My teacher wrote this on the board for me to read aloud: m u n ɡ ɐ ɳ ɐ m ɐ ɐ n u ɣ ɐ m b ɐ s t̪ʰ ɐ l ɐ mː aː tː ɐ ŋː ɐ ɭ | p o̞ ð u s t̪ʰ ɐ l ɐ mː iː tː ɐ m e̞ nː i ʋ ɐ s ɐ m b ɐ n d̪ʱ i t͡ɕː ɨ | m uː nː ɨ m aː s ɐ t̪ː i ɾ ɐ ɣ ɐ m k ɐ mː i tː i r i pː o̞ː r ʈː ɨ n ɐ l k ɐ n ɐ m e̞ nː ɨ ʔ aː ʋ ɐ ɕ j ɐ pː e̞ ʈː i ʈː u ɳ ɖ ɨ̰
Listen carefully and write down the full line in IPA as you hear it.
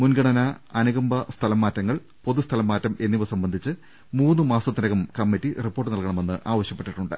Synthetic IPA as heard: m u n ɡ ɐ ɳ ɐ n ɐ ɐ n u ɣ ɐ m b ɐ s t̪ʰ ɐ l ɐ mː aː tː ɐ ŋː ɐ ɭ | p o̞ ð u s t̪ʰ ɐ l ɐ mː aː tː ɐ m e̞ nː i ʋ ɐ s ɐ m b ɐ n d̪ʱ i t͡ɕː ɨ | m uː nː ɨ m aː s ɐ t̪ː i ɾ ɐ ɣ ɐ m k ɐ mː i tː i r i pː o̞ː r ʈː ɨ n ɐ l k ɐ ɳ ɐ m e̞ nː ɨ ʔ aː ʋ ɐ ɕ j ɐ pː e̞ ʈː i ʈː u ɳ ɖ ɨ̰